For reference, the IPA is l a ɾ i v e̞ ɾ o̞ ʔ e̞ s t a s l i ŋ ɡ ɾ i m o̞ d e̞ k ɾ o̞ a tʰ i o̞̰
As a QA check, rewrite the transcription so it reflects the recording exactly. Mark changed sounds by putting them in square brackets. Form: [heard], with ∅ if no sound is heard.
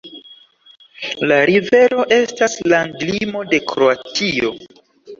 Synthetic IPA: l a ɾ i v e̞ ɾ o̞ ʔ e̞ s t a s l [a] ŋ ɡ [l] i m o̞ d e̞ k ɾ o̞ a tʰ i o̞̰